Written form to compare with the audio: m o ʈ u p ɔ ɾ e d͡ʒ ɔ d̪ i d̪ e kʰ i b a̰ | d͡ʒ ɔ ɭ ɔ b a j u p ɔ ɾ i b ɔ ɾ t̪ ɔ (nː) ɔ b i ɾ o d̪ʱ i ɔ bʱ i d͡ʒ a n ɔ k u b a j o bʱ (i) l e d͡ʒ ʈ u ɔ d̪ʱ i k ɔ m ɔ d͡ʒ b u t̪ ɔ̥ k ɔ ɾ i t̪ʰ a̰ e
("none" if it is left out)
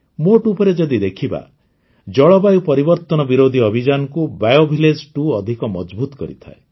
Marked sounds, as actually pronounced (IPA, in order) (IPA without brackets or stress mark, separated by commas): n, i